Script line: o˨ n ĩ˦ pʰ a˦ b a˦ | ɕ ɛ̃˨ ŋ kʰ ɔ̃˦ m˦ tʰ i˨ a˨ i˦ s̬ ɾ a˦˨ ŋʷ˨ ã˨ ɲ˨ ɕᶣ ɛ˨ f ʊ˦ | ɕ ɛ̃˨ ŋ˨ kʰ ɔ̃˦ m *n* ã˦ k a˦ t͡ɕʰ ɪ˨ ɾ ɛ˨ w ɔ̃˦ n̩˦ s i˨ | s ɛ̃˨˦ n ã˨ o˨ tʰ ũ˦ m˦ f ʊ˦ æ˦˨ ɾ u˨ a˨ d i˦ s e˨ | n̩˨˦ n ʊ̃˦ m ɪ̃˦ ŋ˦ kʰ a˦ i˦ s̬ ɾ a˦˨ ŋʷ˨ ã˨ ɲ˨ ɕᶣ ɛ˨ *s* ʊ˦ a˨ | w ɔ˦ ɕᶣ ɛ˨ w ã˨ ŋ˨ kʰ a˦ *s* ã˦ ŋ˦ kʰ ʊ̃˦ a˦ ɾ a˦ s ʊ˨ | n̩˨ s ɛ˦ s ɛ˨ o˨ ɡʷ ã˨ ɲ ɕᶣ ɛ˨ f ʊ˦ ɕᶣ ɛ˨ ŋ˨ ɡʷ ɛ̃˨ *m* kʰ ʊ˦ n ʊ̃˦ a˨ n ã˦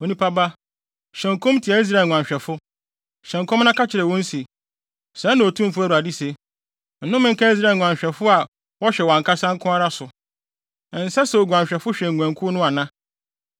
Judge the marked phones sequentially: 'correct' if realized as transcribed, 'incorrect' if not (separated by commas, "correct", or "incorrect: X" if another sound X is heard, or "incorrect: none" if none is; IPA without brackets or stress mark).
correct, incorrect: f, correct, incorrect: ŋ